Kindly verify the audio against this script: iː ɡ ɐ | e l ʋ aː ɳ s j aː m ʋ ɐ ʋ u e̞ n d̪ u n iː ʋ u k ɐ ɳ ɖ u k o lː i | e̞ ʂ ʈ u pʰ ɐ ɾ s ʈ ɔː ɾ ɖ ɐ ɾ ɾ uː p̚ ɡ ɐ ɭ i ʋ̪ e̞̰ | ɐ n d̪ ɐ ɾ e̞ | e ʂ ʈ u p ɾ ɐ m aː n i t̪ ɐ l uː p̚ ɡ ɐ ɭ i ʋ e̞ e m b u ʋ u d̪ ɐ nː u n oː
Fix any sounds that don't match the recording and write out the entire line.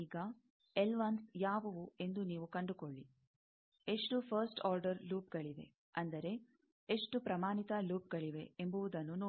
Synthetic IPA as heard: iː ɡ ɐ | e l ʋ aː n s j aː ʋ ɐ ʋ u e̞ n d̪ u n iː ʋ u k ɐ ɳ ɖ u k o ɭː i | e̞ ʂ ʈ u pʰ ɐ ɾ s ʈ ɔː ɾ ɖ ɐ ɾ l uː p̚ ɡ ɐ ɭ i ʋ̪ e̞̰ | ɐ n d̪ ɐ ɾ e̞ | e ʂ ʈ u p ɾ ɐ m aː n i t̪ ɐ l uː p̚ ɡ ɐ ɭ i ʋ e̞ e m b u ʋ u d̪ ɐ nː u n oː